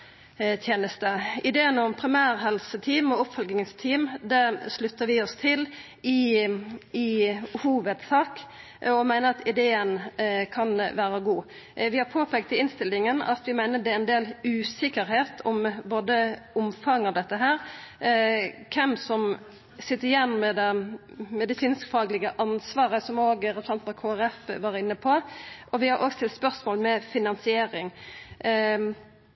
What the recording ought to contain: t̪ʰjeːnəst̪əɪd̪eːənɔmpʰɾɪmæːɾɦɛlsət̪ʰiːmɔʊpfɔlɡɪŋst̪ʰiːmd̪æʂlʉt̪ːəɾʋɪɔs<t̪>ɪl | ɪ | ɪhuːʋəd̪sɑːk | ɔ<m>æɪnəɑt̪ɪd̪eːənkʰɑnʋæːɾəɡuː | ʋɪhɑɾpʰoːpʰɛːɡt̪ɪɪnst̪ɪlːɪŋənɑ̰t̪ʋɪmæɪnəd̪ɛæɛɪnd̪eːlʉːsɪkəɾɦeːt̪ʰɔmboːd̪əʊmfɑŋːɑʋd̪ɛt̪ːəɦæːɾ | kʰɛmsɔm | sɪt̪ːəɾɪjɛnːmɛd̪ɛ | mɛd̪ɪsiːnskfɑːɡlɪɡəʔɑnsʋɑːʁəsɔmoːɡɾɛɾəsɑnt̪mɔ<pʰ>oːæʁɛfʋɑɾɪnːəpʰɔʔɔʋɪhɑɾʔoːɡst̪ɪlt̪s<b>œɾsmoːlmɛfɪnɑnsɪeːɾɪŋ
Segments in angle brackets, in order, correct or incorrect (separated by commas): incorrect, correct, incorrect, incorrect